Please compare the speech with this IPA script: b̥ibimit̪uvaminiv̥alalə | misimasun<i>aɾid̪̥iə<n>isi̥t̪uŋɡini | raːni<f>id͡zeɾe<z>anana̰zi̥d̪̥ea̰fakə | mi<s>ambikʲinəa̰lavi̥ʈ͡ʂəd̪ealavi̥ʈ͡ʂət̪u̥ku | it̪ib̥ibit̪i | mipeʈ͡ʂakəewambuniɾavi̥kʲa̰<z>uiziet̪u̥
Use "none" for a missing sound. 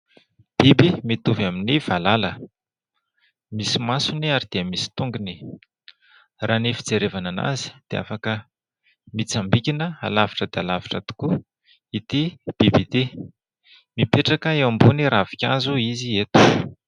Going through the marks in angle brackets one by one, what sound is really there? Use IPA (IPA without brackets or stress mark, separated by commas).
i, m, f, v, t͡s, z